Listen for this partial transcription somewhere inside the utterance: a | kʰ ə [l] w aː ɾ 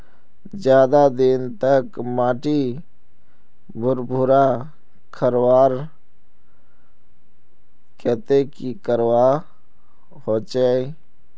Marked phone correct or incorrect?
incorrect